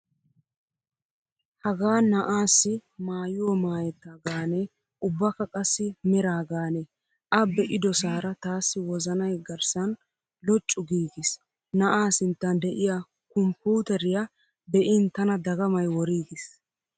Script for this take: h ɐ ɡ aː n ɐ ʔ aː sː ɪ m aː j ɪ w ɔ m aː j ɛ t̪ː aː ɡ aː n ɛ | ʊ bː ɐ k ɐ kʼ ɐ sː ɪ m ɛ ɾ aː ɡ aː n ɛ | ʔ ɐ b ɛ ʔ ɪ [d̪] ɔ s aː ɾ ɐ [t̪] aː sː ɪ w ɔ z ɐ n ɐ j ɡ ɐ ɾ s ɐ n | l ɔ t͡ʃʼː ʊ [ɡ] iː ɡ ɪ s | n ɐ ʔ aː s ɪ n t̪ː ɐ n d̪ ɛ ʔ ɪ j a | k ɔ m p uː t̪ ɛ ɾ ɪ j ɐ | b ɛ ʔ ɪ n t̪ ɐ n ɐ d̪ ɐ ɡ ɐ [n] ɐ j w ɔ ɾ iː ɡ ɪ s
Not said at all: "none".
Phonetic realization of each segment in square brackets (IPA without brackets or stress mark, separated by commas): d̪, t̪, ɡ, m